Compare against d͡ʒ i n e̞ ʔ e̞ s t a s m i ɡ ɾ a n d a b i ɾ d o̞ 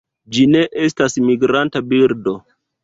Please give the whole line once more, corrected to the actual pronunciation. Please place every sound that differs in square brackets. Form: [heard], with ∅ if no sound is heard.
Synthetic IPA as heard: d͡ʒ i n e̞ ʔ e̞ s t a s m i ɡ ɾ a n [t] a b i ɾ d o̞

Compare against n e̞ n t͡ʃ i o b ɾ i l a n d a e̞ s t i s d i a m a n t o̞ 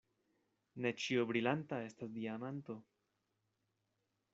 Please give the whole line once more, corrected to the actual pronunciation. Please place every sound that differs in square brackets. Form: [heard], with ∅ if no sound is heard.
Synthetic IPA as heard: n e̞ [∅] t͡ʃ i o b ɾ i l a n [t] a e̞ s t [a] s d i a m a n t o̞

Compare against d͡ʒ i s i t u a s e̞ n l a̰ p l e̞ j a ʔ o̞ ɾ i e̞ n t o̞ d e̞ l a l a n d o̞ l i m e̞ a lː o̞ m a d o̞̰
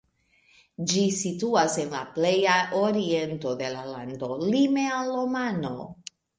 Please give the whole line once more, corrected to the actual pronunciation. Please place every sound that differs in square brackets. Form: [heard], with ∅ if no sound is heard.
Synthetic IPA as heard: d͡ʒ i s i t u a s e̞ n l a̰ p l e̞ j a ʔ o̞ ɾ i e̞ n t o̞ d e̞ l a l a n d o̞ l i m e̞ a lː o̞ m a [n] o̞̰

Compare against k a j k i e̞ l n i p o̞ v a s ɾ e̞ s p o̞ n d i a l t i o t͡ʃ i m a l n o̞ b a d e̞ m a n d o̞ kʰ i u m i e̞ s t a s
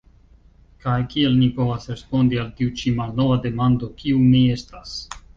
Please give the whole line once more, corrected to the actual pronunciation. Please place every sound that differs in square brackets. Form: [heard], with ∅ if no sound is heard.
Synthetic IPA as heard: k a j k i e̞ l n i p o̞ v a s ɾ e̞ s p o̞ n d i a l t i [u] t͡ʃ i m a l n o̞ [v] a d e̞ m a n d o̞ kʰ i u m i e̞ s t a s

